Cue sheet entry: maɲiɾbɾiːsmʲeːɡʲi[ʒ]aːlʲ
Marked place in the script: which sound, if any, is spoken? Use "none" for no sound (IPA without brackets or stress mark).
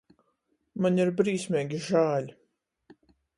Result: ʒ